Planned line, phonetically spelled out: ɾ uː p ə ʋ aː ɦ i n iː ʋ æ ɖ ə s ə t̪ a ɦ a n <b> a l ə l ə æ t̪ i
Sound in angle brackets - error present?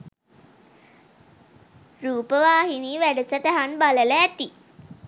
no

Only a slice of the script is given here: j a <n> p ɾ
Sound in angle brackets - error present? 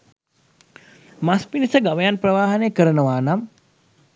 no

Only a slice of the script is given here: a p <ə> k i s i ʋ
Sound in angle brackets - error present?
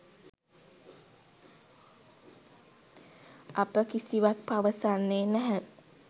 no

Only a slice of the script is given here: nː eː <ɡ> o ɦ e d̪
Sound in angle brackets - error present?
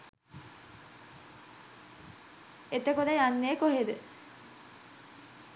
yes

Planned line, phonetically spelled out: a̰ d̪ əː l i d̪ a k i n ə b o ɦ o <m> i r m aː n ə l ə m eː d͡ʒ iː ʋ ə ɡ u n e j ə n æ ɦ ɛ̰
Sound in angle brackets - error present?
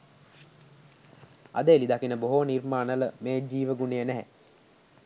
yes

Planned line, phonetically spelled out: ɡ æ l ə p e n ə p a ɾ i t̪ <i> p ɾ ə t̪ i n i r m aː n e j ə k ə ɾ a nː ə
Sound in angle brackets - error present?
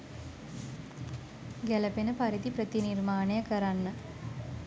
no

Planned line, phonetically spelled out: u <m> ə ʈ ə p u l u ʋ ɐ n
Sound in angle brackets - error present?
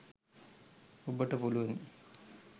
yes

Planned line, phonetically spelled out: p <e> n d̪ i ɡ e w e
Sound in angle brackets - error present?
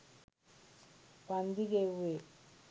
yes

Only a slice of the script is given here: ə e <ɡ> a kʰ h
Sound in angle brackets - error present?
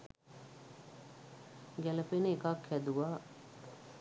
yes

